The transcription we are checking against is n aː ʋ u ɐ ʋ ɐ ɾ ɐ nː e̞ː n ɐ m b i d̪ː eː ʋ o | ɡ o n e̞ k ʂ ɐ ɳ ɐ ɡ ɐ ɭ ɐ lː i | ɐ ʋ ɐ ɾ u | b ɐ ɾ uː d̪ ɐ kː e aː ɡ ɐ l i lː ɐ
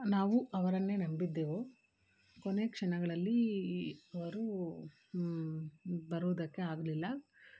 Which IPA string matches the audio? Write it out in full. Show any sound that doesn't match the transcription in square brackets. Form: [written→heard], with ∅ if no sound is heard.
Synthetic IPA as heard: n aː ʋ u ɐ ʋ ɐ ɾ ɐ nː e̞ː n ɐ m b i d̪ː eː ʋ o | [ɡ→k] o n e̞ k ʂ ɐ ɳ ɐ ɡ ɐ ɭ ɐ lː i | ɐ ʋ ɐ ɾ u | b ɐ ɾ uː d̪ ɐ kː e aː ɡ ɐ l i lː ɐ